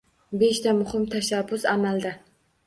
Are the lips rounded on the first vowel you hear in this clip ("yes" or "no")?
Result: no